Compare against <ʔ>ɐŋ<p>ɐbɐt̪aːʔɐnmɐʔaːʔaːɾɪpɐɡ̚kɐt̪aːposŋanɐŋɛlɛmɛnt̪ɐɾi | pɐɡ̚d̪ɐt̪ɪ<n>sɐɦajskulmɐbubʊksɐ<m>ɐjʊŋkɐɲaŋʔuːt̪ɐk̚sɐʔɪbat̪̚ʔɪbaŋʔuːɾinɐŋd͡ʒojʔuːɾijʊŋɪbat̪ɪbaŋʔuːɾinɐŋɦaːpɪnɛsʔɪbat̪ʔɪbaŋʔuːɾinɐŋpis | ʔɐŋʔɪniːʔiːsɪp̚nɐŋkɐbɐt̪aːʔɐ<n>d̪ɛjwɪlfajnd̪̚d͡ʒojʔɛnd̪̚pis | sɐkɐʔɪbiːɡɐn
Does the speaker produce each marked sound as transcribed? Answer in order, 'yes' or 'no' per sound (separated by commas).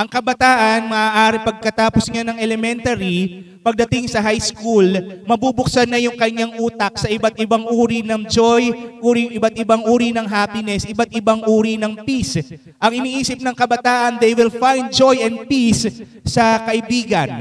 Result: yes, no, no, no, yes